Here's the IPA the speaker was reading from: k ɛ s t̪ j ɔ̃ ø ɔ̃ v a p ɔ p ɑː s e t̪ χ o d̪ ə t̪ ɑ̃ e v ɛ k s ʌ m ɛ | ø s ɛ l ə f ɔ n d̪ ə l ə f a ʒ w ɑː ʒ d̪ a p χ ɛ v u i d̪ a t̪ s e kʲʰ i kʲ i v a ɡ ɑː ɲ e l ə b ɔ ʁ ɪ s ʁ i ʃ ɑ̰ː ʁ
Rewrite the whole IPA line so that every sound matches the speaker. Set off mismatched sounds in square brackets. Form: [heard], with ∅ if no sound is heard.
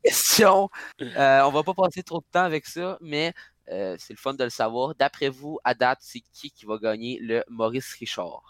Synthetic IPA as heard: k ɛ s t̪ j ɔ̃ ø ɔ̃ v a p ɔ p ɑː s e t̪ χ o d̪ ə t̪ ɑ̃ [a] v ɛ k s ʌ m ɛ | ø s ɛ l ə f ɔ n d̪ ə l ə [s] a [v] w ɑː [ʁ] d̪ a p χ ɛ v u [a] d̪ a t̪ s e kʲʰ i kʲ i v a ɡ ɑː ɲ e l ə [m] ɔ ʁ ɪ s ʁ i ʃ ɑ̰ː ʁ